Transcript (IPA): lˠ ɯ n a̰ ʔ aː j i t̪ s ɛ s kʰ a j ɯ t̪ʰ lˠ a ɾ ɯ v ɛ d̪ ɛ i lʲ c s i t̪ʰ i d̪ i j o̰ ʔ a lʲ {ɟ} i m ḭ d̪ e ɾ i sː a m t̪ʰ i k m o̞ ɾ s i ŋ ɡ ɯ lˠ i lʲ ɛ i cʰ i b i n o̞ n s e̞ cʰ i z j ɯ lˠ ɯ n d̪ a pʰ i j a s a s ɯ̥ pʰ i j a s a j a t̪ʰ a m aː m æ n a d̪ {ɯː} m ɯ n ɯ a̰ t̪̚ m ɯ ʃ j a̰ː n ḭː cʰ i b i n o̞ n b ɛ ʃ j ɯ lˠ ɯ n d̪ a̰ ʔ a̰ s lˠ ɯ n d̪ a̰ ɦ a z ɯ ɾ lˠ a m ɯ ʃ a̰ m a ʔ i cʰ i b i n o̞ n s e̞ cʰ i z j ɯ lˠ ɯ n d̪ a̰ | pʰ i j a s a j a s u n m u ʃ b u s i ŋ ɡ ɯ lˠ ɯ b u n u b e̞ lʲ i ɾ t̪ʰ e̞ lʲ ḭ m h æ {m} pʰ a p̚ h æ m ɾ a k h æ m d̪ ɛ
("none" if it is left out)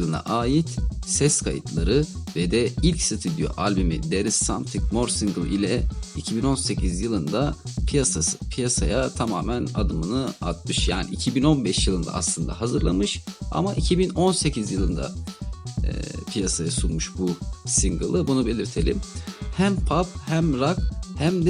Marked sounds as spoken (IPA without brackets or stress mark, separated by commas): b, ɯ, m